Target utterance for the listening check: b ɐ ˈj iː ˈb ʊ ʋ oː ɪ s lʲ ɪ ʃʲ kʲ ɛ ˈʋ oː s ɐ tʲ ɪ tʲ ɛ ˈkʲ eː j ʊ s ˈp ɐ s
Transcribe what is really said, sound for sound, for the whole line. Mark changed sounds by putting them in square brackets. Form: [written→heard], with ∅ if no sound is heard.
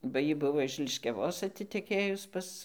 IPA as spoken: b ɐ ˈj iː ˈb ʊ ʋ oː ɪ [s→ʃ] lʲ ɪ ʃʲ kʲ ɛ ˈʋ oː s ɐ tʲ ɪ tʲ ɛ ˈkʲ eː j ʊ s ˈp ɐ s